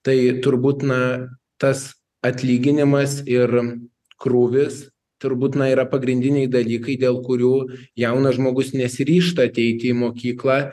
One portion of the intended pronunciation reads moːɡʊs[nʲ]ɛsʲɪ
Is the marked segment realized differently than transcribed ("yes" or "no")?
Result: no